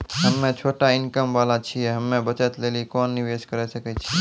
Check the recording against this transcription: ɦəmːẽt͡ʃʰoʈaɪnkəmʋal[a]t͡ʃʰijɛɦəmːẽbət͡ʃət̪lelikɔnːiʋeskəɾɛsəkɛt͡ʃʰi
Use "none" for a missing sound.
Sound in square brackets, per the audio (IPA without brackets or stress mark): a